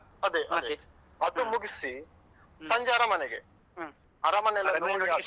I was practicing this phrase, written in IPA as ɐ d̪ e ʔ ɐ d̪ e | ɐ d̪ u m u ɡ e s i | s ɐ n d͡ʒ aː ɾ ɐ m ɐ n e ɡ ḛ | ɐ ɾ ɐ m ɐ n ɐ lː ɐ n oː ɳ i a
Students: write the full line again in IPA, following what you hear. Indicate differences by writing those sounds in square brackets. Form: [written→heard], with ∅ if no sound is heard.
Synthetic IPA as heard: ɐ d̪ e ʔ ɐ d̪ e | ɐ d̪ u m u ɡ [e→i] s i | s ɐ [n→ɲ] d͡ʒ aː ɾ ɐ m ɐ n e ɡ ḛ | ɐ ɾ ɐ m ɐ n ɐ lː ɐ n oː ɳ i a